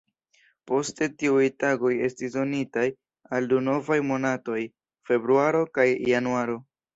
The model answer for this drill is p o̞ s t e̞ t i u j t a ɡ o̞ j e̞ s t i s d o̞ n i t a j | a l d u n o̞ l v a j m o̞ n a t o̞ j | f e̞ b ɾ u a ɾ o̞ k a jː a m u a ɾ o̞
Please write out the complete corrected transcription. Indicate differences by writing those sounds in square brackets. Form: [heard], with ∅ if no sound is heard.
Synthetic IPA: p o̞ s t e̞ t i u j t a ɡ o̞ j e̞ s t i s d o̞ n i t a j | a l d u n o̞ [∅] v a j m o̞ n a t o̞ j | f e̞ b ɾ u a ɾ o̞ k a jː a [n] u a ɾ o̞